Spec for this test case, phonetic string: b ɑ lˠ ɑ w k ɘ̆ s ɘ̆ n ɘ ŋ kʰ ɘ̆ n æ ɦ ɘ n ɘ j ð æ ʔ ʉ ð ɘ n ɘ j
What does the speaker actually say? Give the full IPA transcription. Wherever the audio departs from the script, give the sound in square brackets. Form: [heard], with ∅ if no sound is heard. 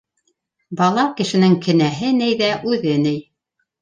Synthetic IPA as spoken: b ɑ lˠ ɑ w k ɘ̆ [ʃ] ɘ̆ n ɘ ŋ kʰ ɘ̆ n æ ɦ ɘ n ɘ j ð æ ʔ ʉ ð ɘ n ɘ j